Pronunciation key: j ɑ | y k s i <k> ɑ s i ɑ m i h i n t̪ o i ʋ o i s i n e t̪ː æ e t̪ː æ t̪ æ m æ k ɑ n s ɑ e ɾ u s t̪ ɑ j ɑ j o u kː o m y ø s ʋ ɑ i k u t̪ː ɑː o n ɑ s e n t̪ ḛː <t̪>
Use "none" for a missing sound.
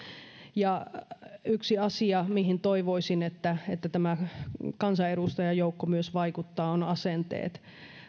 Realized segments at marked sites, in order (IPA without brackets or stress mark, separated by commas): none, t̪